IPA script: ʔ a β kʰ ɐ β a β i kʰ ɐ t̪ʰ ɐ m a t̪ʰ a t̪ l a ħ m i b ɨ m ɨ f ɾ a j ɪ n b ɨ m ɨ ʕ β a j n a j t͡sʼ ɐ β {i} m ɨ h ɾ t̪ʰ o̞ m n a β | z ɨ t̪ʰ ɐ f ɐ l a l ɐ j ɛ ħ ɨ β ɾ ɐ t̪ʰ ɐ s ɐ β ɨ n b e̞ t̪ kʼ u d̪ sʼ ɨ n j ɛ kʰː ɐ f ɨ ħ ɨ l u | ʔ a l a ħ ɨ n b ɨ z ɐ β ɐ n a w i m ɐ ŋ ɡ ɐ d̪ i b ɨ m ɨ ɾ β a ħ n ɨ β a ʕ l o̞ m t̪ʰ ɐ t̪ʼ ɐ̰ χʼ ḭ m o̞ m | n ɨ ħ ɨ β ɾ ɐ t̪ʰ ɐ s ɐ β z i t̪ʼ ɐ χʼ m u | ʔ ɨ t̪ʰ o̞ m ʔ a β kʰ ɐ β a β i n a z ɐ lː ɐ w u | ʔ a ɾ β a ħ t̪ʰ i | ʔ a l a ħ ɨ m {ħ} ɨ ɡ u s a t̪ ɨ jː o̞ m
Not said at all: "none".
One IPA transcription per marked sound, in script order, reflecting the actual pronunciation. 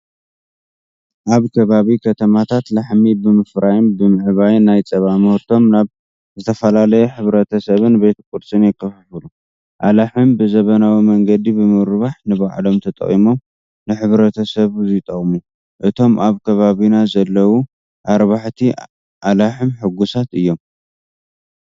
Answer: a, ħ

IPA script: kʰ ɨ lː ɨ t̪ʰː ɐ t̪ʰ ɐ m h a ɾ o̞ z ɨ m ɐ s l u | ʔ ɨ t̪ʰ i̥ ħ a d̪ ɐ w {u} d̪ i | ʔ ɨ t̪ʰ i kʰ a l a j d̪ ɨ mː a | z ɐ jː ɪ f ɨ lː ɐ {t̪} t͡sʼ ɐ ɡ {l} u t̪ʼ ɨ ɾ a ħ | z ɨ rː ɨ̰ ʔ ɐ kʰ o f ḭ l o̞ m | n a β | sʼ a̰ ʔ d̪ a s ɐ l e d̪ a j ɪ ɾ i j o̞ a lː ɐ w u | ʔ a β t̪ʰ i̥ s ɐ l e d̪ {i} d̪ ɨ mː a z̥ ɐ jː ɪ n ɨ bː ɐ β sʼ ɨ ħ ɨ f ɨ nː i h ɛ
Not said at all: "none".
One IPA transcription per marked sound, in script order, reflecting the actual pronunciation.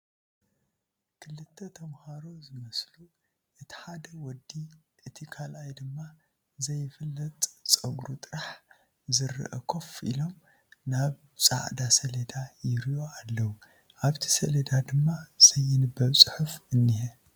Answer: ɔ, t̪ʼ, ɾ, a

